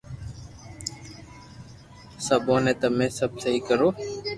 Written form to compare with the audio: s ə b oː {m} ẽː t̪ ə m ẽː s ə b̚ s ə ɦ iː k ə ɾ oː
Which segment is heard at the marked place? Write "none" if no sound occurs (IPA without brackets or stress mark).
n